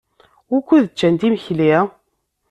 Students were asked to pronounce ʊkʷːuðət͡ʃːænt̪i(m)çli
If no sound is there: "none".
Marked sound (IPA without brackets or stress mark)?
m